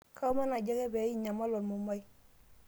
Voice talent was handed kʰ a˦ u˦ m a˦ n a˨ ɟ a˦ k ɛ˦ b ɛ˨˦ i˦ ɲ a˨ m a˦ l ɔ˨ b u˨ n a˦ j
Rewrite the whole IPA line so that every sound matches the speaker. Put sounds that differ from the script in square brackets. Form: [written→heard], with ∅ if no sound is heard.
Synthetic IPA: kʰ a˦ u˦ m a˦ n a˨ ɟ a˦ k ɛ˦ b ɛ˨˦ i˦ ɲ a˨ m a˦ l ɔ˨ [b→m] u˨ [n→m] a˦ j